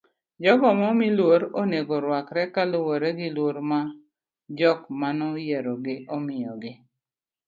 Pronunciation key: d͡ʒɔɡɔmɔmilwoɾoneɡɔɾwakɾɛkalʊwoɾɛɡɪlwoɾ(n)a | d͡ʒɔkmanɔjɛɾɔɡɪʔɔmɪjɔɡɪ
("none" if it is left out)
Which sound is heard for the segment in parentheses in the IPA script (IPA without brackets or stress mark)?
m